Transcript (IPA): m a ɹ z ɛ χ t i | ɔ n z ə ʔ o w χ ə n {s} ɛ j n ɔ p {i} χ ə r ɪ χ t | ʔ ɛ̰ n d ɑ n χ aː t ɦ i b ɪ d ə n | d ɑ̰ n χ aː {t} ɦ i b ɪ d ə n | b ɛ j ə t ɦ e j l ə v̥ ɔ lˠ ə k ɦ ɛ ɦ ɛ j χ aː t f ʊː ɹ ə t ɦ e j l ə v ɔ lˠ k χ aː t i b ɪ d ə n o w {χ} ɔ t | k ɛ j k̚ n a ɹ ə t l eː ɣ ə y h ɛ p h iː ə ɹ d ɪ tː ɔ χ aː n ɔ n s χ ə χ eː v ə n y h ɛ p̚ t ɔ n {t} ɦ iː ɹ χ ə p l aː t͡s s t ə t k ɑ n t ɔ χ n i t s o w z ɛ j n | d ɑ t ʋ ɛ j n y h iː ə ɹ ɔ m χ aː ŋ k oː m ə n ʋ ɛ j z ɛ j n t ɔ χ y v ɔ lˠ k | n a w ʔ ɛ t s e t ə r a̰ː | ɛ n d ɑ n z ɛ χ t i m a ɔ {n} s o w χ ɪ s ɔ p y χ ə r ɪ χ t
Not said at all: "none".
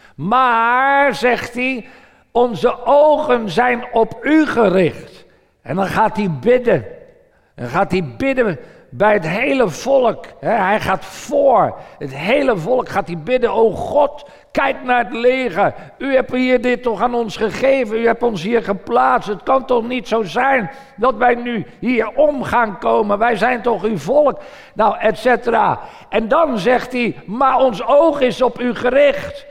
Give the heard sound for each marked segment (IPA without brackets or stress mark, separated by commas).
z, y, t, χ, s, n